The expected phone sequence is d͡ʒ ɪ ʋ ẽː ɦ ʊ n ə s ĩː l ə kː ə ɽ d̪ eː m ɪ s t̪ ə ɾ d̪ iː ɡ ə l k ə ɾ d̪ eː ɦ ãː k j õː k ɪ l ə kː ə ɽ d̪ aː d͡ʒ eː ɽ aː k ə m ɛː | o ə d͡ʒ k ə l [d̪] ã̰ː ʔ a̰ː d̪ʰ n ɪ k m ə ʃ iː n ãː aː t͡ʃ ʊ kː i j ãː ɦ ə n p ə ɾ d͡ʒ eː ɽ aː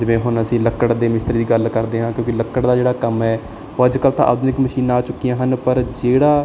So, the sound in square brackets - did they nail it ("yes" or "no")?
no